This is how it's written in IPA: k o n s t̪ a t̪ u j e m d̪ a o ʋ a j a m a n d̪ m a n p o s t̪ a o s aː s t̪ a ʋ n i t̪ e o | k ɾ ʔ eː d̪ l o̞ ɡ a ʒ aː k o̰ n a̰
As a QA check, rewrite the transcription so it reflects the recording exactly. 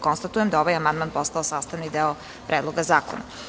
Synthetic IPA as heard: k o n s t̪ a t̪ u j e m d̪ a o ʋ a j a m a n d̪ m a n p o s t̪ a o s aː s t̪ a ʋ n i d̪ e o | p ɾ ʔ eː d̪ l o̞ ɡ a z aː k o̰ n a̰